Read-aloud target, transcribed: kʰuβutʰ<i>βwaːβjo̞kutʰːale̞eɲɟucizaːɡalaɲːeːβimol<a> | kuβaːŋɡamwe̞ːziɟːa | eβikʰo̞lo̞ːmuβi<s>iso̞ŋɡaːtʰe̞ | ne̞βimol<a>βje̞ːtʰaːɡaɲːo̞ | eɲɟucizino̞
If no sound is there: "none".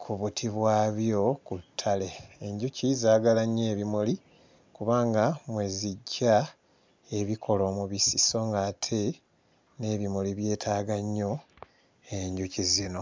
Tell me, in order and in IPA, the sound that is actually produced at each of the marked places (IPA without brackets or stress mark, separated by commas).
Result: i, i, s, i